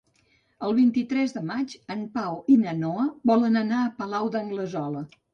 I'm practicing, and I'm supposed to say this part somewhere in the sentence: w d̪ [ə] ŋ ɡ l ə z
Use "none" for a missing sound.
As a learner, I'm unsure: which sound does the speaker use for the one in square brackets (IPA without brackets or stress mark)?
ə